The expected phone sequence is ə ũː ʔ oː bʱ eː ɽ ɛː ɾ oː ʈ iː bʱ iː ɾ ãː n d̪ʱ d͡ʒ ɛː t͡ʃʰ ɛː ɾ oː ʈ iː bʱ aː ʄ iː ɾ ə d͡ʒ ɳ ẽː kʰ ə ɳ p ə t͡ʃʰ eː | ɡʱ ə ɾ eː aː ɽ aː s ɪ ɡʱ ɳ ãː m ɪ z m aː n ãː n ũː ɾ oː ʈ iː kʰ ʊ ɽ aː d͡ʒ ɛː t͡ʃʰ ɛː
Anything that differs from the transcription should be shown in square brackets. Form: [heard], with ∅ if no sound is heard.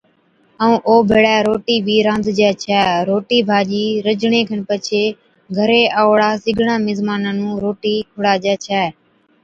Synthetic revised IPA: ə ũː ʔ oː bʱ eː ɽ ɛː ɾ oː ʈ iː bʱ iː ɾ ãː n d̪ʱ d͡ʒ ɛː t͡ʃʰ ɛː ɾ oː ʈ iː bʱ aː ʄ iː ɾ ə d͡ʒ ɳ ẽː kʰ ə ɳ p ə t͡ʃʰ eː | ɡʱ ə ɾ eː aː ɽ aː s ɪ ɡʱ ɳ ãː m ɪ z m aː n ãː n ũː ɾ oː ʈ iː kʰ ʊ ɽ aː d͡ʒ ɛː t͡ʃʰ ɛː